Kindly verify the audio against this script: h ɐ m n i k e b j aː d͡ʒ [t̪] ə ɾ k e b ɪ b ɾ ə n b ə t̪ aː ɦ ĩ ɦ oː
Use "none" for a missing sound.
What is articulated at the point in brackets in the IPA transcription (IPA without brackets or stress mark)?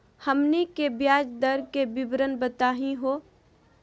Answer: d̪